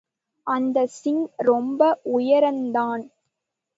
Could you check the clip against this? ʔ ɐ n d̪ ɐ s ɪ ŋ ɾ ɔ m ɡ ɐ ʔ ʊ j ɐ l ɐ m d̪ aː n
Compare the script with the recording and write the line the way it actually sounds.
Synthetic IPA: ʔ ɐ n d̪ ɐ s ɪ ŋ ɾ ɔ m b ɐ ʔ ʊ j ɐ ɾ ɐ n d̪ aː n